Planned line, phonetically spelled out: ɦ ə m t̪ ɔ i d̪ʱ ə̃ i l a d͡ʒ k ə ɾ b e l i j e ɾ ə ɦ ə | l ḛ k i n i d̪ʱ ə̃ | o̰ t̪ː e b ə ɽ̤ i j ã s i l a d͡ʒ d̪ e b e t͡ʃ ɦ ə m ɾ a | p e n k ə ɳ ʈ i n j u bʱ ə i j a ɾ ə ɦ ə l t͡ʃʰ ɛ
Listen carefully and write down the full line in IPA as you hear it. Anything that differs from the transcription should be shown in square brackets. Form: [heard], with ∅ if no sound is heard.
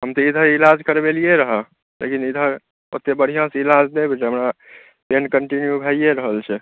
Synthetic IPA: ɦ ə m t̪ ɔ i d̪ʱ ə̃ i l a d͡ʒ k ə ɾ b e l i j e ɾ ə ɦ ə | l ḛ k i n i d̪ʱ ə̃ | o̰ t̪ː e b ə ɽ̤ i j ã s i l a d͡ʒ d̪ e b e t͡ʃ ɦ ə m ɾ a | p e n k ə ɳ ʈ i n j u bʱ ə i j [e] ɾ ə ɦ ə l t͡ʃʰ ɛ

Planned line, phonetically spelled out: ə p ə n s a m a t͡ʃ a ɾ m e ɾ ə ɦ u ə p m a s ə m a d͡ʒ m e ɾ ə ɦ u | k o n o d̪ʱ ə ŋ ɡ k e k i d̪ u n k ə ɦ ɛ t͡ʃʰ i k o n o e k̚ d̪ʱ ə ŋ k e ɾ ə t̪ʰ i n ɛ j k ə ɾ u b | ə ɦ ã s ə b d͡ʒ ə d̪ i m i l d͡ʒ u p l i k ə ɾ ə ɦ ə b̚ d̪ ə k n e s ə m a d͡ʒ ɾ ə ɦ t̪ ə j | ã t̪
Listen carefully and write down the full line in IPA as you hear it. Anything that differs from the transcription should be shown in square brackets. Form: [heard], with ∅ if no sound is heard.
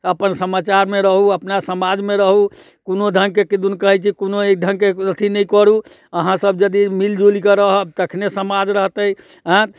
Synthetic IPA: ə p ə n s [ə] m a t͡ʃ a ɾ m e ɾ ə ɦ u ə p [n] a s ə m a d͡ʒ m e ɾ ə ɦ u | k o n o d̪ʱ ə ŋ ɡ k e k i d̪ u n k ə ɦ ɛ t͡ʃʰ i k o n o e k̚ d̪ʱ ə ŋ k e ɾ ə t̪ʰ i n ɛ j k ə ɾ u [∅] | ə ɦ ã s ə b d͡ʒ ə d̪ i m i l d͡ʒ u [∅] l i k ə ɾ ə ɦ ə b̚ [t̪] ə [kʰ] n e s ə m a d͡ʒ ɾ ə ɦ t̪ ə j | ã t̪

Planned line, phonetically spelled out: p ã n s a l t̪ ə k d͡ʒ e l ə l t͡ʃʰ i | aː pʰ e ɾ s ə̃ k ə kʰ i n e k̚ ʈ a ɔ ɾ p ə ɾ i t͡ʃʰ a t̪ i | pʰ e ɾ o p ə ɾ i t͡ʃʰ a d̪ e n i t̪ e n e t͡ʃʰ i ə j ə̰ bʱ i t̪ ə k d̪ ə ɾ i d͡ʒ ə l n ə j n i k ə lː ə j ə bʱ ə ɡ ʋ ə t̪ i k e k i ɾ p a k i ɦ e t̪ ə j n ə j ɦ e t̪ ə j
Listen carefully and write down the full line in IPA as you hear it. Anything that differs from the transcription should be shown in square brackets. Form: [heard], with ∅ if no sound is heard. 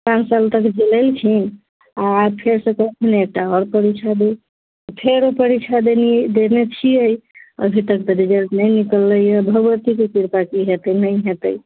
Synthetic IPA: p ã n s a l t̪ ə k d͡ʒ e l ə l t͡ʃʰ i | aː pʰ e ɾ s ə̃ k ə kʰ i n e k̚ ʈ a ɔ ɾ p ə ɾ i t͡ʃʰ a [d̪] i | pʰ e ɾ o p ə ɾ i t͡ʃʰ a d̪ e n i [d̪] e n e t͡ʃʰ i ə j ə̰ bʱ i t̪ ə k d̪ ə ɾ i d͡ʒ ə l n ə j n i k ə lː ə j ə bʱ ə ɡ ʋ ə t̪ i k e k i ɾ p a k i ɦ e t̪ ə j n ə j ɦ e t̪ ə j

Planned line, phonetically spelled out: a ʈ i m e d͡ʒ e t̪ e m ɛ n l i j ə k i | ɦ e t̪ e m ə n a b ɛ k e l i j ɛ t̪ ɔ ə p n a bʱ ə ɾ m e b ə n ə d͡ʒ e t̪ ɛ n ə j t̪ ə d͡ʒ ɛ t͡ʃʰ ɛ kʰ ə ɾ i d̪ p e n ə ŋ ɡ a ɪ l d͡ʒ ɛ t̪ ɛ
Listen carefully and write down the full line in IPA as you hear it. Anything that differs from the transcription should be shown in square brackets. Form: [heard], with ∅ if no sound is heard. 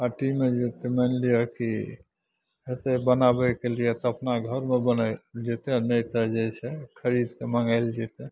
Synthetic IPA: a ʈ i m e d͡ʒ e t̪ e m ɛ n l i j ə k i | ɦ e t̪ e [b] ə n a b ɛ k e l i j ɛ t̪ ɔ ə p n a [ɡʱ] ə ɾ m e b ə n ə d͡ʒ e t̪ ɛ n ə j t̪ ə d͡ʒ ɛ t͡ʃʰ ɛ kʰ ə ɾ i d̪ [k] e [m] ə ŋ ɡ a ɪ l d͡ʒ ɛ t̪ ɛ

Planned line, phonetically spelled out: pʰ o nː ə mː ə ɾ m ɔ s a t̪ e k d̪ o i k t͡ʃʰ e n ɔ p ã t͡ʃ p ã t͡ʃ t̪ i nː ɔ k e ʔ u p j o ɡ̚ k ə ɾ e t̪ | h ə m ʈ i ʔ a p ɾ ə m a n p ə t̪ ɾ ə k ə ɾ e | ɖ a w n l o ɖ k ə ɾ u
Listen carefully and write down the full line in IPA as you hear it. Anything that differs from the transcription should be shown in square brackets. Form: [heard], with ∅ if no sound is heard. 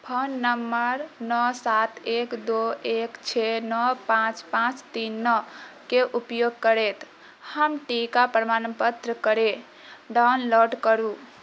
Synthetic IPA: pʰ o nː ə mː ə ɾ [n] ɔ s a t̪ e k d̪ o [e] k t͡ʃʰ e n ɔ p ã t͡ʃ p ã t͡ʃ t̪ i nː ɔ k e ʔ u p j o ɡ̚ k ə ɾ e t̪ | h ə m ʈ i [k] a p ɾ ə m a n p ə t̪ ɾ ə k ə ɾ e | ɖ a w n l o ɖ k ə ɾ u

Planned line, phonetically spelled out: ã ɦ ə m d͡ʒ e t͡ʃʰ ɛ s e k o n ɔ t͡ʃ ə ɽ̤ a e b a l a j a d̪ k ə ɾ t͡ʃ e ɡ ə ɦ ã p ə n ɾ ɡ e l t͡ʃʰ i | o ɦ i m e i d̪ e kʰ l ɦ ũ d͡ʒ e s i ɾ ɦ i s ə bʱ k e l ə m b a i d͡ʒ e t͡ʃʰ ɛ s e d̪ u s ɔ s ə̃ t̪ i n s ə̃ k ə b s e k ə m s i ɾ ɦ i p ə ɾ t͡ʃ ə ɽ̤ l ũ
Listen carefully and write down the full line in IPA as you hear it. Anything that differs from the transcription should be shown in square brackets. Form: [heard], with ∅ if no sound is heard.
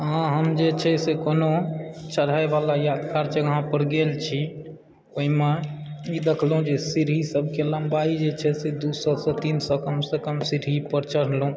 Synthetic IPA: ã ɦ ə m d͡ʒ e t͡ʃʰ ɛ s e k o n [o] t͡ʃ ə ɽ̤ a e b a l a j a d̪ k [a] ɾ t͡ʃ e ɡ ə ɦ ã p ə [∅] ɾ ɡ e l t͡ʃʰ i | o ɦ i m e i d̪ e kʰ l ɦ ũ d͡ʒ e s i ɾ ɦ i s ə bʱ k e l ə m b a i d͡ʒ e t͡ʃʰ ɛ s e d̪ u s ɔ s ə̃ t̪ i n s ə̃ k ə [m] s e k ə m s i ɾ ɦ i p ə ɾ t͡ʃ ə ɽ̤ l ũ

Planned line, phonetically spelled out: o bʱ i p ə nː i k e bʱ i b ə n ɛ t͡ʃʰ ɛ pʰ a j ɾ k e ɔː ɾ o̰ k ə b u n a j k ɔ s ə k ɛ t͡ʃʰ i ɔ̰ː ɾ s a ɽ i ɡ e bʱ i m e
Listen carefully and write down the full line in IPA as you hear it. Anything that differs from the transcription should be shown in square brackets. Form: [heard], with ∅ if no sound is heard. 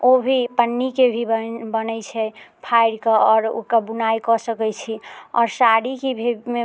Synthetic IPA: o bʱ i p ə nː i k e bʱ i b ə n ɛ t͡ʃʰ ɛ pʰ a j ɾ k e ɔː ɾ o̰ k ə b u n a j k ɔ s ə k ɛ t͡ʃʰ i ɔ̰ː ɾ s a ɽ i [k] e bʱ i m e

